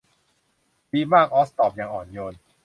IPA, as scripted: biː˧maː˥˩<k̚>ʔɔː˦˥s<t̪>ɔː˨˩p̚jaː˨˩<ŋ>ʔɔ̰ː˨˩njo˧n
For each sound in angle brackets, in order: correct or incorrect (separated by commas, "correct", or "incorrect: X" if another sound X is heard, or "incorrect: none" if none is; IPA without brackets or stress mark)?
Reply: correct, correct, correct